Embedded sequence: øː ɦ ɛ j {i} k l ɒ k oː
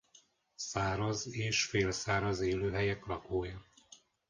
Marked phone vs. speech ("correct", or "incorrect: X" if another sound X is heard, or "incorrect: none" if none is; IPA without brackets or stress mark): incorrect: ɛ